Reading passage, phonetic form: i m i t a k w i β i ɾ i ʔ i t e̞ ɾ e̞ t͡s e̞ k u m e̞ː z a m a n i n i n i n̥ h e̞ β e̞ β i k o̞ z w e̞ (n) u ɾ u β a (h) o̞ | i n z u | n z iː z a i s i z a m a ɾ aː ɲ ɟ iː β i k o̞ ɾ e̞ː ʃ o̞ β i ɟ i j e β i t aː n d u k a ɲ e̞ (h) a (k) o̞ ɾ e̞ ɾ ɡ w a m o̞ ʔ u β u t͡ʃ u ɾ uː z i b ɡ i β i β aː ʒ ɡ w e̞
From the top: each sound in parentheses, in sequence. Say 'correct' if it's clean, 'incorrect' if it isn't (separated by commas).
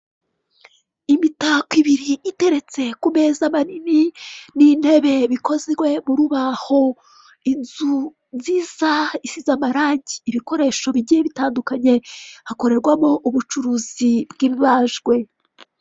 incorrect, correct, correct, correct